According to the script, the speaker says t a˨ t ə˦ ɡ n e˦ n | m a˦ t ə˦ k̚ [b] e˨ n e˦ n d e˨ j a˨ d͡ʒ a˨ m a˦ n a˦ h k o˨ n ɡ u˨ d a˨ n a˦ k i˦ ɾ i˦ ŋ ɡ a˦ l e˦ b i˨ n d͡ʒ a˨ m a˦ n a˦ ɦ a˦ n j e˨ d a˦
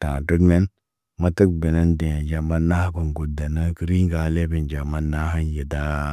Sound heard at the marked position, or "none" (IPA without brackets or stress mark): b